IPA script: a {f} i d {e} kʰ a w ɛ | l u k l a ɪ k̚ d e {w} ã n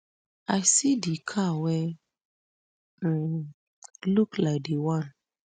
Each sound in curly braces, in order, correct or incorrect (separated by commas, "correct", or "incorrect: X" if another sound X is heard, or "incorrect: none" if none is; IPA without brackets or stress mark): incorrect: s, incorrect: i, correct